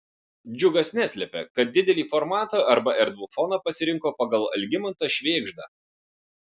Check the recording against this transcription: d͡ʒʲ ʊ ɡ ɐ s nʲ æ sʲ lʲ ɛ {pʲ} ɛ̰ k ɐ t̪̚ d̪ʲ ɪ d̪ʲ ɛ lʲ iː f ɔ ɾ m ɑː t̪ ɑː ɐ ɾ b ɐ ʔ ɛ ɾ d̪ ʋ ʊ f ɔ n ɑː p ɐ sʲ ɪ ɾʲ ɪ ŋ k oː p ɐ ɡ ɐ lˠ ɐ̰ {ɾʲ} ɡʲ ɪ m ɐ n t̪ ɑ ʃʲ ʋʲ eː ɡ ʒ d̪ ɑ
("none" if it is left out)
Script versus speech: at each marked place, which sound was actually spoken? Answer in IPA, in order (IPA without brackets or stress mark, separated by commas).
pʲ, lʲ